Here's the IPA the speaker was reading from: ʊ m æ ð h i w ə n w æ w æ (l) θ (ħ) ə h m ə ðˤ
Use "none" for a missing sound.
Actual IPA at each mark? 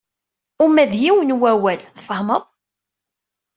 l, f

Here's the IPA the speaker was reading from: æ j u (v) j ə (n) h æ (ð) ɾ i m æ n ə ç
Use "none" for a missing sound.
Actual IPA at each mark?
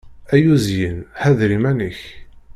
z, n, ð

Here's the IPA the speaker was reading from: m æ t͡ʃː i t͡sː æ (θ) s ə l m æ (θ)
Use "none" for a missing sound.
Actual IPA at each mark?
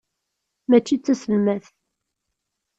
none, θ

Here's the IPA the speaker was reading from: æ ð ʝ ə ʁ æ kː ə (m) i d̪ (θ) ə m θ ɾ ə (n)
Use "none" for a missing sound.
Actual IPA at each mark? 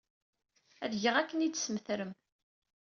n, s, m

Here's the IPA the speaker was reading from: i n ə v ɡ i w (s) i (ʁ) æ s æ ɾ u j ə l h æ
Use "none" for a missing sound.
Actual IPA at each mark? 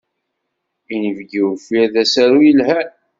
f, ð

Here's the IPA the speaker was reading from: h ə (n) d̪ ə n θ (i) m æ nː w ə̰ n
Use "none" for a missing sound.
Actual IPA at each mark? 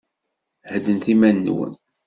none, i

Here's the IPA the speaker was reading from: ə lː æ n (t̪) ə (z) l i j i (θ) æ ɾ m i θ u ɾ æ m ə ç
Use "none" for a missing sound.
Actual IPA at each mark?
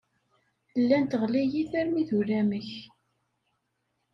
t̪, ʁ, θ

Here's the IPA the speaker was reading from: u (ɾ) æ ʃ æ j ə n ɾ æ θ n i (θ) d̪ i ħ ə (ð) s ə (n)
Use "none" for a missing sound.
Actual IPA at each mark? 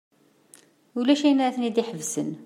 l, none, v, n

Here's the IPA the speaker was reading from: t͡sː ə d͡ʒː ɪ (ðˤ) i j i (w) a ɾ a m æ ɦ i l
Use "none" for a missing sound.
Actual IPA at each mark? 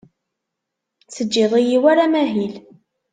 ðˤ, w

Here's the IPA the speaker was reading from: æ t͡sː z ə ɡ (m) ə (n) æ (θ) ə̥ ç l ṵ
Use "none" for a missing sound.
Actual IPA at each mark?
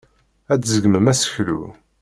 m, m, s

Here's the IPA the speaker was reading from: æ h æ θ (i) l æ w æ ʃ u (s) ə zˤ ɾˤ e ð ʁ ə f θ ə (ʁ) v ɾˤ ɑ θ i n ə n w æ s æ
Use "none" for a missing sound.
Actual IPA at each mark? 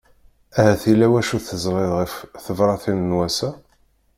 i, θ, none

